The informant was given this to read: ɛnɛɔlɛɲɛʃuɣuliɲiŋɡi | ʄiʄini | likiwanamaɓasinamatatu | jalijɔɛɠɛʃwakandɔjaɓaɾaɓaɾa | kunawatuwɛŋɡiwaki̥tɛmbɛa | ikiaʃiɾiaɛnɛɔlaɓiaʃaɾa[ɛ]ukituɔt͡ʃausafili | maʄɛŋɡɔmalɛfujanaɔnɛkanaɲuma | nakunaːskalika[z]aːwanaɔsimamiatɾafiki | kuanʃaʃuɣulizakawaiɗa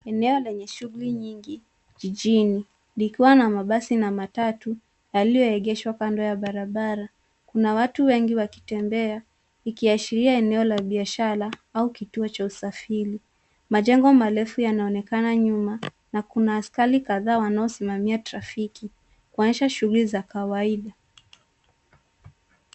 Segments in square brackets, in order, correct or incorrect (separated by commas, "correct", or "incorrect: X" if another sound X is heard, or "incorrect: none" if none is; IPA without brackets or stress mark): incorrect: a, incorrect: ð